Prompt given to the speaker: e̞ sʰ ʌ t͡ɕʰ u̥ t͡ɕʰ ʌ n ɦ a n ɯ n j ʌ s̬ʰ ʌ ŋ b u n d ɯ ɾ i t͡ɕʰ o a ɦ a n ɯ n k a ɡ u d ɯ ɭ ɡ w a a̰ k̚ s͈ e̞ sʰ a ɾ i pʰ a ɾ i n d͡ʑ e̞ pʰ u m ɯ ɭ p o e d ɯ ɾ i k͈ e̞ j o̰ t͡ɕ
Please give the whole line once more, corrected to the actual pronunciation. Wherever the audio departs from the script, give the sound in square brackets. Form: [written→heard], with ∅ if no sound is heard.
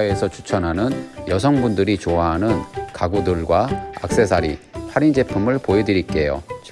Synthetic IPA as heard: e̞ sʰ ʌ t͡ɕʰ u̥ t͡ɕʰ ʌ n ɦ a n ɯ n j ʌ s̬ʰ ʌ ŋ b u n d ɯ ɾ i [t͡ɕʰ→t͡ɕ] o a ɦ a n ɯ n k a ɡ u d ɯ ɭ ɡ w a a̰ k̚ s͈ e̞ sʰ a ɾ i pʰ a ɾ i n d͡ʑ e̞ pʰ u m ɯ ɭ p o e d ɯ ɾ i k͈ e̞ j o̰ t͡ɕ